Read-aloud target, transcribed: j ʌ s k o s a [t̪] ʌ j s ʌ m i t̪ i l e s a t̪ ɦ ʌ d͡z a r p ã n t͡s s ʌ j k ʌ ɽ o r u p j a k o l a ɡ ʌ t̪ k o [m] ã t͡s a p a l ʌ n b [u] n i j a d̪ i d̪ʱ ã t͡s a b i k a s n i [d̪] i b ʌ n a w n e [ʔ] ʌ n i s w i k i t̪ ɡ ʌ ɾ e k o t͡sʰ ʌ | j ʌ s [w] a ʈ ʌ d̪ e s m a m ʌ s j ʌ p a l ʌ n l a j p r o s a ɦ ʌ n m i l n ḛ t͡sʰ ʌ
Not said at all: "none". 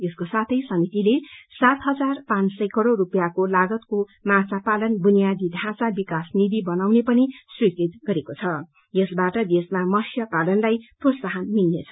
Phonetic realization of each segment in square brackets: t̪ʰ, m, u, d̪, p, b

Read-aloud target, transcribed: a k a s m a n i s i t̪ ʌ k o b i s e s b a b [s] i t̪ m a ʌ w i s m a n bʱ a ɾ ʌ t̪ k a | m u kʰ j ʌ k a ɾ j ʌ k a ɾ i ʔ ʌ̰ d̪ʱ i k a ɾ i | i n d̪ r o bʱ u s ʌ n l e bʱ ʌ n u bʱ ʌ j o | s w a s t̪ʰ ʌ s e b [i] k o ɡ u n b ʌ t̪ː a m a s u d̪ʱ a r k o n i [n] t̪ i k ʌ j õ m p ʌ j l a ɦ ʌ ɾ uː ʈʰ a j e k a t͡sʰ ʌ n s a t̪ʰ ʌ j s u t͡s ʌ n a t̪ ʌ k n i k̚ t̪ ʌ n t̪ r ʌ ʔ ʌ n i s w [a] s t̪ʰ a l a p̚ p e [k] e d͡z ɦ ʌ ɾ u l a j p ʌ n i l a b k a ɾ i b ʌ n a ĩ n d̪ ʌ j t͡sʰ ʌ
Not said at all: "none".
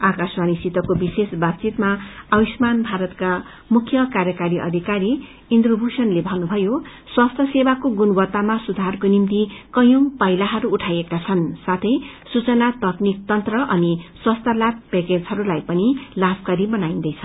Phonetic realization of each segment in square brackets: t͡s, a, m, ʌ, k

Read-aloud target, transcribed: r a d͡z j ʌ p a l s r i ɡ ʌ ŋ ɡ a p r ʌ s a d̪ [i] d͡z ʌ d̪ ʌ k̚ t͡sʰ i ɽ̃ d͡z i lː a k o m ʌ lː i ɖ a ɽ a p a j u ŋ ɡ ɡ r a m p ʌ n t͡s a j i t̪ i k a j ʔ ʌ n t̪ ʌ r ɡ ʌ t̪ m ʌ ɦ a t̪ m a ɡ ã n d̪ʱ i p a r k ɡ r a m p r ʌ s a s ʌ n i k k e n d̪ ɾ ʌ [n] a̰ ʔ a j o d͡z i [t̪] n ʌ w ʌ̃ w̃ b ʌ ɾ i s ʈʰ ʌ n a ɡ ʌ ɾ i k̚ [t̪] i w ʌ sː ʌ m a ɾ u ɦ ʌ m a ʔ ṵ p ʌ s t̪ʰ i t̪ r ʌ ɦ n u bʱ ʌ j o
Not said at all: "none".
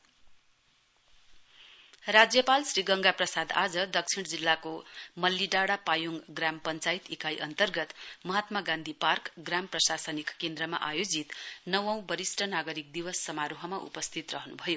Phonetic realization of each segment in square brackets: a, m, t̪, d̪

